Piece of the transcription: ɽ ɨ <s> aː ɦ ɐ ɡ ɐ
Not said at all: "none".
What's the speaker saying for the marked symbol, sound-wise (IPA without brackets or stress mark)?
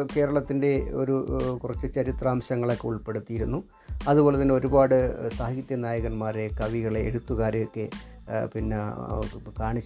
s